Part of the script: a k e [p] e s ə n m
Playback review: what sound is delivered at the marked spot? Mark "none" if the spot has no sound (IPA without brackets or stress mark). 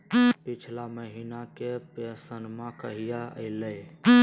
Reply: p